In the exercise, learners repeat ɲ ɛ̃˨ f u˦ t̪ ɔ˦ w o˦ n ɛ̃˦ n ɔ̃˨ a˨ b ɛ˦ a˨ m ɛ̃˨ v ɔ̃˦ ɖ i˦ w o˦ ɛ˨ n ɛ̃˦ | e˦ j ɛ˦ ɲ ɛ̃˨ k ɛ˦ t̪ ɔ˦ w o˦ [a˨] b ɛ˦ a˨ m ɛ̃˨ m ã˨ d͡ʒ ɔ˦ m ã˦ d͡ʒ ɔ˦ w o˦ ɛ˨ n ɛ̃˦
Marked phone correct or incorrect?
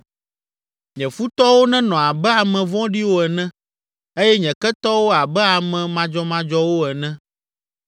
correct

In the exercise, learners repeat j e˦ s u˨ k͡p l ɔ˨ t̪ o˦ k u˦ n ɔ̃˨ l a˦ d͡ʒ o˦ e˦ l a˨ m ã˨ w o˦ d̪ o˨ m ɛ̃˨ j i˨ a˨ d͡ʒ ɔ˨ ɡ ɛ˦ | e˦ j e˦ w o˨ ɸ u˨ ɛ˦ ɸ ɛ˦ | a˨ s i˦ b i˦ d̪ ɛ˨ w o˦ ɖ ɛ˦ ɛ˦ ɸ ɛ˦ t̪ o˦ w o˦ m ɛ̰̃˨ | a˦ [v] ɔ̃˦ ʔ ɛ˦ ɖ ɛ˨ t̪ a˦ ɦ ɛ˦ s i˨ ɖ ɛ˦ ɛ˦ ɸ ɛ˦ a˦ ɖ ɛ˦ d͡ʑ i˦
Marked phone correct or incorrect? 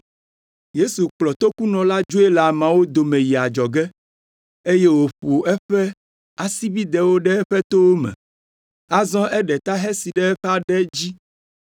incorrect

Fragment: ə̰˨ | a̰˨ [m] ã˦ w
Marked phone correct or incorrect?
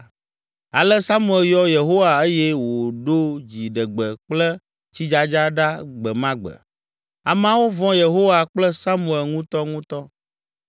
correct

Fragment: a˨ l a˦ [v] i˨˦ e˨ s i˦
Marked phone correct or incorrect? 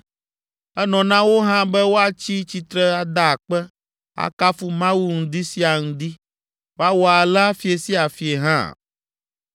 incorrect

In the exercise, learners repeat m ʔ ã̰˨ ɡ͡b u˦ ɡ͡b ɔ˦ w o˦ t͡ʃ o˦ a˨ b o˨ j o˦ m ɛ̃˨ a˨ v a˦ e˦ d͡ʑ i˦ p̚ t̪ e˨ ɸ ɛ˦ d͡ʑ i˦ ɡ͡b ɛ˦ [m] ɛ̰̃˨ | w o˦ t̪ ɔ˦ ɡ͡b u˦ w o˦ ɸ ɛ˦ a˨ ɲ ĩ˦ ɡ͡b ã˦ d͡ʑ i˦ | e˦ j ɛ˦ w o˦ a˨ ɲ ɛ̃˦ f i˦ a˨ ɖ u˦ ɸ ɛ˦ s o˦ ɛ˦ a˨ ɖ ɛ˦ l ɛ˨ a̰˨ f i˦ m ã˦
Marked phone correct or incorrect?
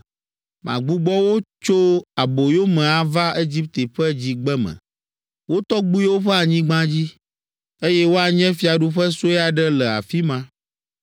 correct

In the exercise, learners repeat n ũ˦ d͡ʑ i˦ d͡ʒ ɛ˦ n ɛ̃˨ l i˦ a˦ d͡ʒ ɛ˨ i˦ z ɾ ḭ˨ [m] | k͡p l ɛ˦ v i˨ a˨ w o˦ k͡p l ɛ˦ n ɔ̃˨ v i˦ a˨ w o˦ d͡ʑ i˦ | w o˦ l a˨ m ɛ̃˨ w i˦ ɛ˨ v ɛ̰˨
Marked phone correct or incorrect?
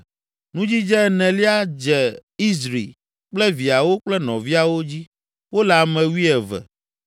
incorrect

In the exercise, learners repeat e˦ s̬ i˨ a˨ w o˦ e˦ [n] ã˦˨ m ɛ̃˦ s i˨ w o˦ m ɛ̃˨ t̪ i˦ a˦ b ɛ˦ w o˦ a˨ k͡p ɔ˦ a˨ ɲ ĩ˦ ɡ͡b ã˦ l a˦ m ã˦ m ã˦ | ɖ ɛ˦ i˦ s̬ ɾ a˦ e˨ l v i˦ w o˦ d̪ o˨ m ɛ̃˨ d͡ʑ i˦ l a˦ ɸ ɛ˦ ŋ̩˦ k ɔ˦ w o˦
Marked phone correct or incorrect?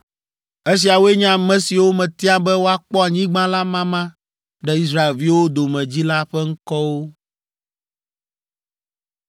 incorrect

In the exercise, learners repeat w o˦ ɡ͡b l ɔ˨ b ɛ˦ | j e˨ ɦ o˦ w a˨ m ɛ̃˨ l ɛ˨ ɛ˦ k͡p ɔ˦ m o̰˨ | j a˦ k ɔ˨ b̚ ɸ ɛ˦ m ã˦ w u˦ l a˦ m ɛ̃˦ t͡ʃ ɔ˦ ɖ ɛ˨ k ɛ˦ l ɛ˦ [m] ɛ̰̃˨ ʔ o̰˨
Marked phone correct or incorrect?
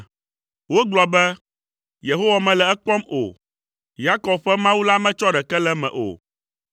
correct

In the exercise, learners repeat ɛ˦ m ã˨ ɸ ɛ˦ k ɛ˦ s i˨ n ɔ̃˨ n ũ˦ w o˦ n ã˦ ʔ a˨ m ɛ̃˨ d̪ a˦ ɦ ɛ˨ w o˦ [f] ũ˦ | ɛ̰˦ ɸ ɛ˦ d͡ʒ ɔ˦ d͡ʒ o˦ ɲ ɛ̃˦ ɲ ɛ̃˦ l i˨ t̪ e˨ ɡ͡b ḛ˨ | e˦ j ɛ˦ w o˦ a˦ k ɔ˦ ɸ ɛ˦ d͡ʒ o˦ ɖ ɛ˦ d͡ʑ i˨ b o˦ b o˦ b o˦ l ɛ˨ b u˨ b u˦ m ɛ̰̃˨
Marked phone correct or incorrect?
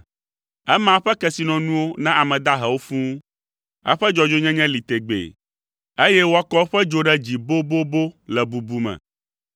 correct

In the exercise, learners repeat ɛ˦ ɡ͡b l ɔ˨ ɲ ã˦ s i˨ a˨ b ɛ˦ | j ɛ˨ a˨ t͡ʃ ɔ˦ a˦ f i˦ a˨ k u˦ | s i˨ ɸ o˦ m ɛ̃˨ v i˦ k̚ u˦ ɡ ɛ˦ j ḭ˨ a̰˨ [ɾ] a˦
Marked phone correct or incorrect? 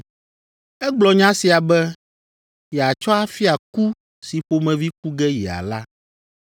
incorrect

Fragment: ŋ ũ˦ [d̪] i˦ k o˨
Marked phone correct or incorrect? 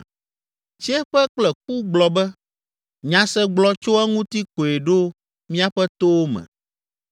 incorrect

